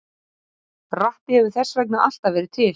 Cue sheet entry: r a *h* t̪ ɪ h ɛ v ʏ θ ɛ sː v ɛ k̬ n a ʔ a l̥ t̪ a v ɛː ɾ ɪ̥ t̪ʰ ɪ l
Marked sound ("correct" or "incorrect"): correct